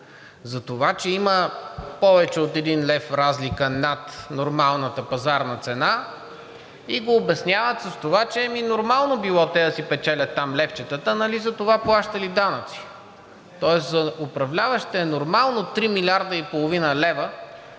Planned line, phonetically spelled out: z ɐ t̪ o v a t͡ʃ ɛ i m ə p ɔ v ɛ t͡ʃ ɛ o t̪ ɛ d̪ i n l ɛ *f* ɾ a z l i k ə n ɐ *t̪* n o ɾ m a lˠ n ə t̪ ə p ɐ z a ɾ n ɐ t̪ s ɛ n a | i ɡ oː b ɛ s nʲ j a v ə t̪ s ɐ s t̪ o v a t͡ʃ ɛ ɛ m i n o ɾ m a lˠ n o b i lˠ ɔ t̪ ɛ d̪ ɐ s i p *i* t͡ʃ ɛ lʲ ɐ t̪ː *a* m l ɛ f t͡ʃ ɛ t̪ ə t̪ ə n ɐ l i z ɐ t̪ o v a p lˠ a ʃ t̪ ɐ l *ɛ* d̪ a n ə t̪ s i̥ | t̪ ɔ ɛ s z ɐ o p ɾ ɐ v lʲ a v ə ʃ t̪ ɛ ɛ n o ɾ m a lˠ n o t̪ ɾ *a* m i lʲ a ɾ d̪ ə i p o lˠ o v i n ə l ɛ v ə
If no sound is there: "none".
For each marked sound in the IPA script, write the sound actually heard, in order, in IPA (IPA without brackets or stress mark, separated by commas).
f, t̪, ɛ, a, i, i